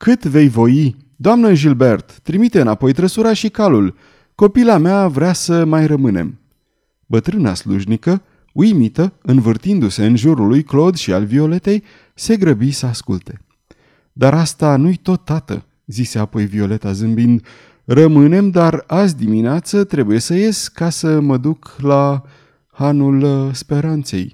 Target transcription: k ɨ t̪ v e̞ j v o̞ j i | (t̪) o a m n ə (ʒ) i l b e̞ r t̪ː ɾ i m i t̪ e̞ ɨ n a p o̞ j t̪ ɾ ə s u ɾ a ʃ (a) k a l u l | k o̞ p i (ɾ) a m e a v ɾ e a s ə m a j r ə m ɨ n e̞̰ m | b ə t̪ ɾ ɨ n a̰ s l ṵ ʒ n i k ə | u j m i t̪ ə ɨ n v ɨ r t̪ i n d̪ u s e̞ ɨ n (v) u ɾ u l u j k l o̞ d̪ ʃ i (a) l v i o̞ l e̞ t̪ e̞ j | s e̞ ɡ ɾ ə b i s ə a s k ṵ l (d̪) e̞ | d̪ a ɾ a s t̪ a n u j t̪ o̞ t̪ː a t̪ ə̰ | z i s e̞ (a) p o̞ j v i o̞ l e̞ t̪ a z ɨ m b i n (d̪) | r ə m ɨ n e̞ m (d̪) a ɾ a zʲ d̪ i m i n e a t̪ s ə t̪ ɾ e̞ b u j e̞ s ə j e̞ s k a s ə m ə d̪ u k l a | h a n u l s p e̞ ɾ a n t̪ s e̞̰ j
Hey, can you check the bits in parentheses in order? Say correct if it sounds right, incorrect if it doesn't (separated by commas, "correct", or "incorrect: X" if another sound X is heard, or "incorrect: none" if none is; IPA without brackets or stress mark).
incorrect: d̪, correct, incorrect: i, incorrect: l, incorrect: ʒ, correct, incorrect: t̪, correct, correct, correct